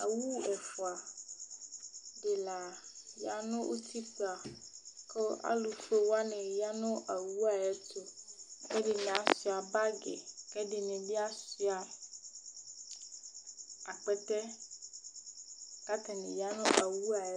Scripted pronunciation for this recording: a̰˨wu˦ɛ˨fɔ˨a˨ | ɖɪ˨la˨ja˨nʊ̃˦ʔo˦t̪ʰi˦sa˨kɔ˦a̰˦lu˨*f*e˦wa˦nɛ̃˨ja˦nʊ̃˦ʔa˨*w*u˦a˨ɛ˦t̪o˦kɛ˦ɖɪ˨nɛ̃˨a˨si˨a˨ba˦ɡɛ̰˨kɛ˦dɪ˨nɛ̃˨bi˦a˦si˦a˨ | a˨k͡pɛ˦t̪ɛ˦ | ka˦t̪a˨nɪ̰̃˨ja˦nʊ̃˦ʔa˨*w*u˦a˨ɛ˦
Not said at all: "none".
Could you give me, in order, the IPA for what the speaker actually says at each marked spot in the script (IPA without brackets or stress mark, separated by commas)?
f, w, w